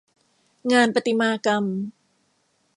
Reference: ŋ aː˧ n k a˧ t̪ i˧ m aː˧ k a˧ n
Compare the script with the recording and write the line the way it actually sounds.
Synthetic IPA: ŋ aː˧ n p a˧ t̪ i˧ m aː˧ k a˧ m